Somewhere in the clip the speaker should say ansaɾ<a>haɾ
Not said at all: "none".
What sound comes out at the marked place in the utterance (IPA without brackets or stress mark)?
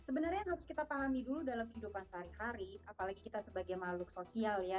i